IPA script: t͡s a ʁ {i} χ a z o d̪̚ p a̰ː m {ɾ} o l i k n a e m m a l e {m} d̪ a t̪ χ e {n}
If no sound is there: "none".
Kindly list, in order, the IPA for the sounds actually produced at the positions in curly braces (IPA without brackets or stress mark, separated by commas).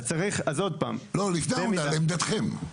i, l, m, m